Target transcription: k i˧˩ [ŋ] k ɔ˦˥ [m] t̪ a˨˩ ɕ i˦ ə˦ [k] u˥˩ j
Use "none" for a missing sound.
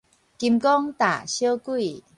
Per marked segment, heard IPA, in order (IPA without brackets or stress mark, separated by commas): m, ŋ, k